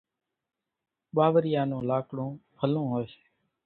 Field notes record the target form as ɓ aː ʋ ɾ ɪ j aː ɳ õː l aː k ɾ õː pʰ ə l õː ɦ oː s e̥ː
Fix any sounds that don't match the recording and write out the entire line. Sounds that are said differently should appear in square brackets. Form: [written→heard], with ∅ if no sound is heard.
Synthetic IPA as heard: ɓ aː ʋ ɾ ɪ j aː [ɳ→n] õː l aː k [ɾ→ɽ] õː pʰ ə l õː ɦ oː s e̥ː